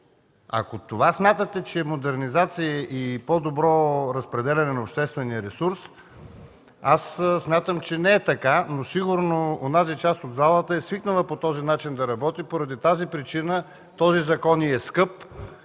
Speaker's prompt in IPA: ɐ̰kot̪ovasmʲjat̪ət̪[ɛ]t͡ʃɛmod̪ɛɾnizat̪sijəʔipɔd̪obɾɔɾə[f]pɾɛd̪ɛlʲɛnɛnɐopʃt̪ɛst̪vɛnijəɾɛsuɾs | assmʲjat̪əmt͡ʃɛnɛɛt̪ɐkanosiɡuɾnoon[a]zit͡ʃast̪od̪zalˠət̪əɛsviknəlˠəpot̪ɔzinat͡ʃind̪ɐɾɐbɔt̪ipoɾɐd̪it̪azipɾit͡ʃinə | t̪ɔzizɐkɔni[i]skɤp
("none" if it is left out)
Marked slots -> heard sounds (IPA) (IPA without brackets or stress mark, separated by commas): ɛ, s, a, ɛ